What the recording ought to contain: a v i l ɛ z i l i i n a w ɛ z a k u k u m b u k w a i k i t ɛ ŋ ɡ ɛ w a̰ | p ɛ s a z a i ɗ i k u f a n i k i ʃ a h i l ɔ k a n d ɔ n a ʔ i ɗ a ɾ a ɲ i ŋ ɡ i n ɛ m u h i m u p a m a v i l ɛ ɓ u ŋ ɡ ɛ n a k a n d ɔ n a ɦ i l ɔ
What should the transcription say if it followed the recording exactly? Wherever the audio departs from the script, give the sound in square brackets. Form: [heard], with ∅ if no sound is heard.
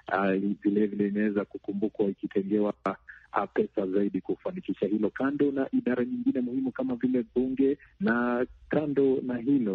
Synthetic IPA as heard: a v i l ɛ [v] i l [ɛ] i n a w ɛ z a k u k u m b u k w a i k i t ɛ ŋ ɡ ɛ w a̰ | p ɛ s a z a i ɗ i k u f a n i k i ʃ a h i l ɔ k a n d ɔ n a ʔ i ɗ a ɾ a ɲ i ŋ ɡ i n ɛ m u h i m u [k] a m a v i l ɛ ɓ u ŋ ɡ ɛ n a k a n d ɔ n a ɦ i l ɔ